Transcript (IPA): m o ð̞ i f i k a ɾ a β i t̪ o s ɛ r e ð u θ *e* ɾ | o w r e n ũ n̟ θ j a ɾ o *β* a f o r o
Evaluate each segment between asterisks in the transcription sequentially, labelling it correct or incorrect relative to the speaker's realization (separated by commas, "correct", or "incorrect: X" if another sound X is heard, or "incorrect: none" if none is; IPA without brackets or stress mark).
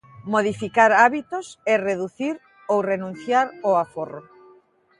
incorrect: i, incorrect: none